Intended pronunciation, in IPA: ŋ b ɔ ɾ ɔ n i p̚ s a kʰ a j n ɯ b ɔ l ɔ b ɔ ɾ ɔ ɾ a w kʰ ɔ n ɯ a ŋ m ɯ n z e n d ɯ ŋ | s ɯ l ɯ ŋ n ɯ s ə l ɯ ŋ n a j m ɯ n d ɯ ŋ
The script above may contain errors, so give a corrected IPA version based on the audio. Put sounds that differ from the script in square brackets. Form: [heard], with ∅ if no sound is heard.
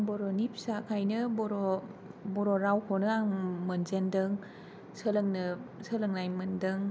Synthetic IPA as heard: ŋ b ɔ ɾ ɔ n i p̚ s a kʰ a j n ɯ b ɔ [ɾ] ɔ b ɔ ɾ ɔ ɾ a w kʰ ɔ n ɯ a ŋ m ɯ n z e n d ɯ ŋ | s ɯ l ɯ ŋ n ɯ s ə l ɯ ŋ n a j m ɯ n d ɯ ŋ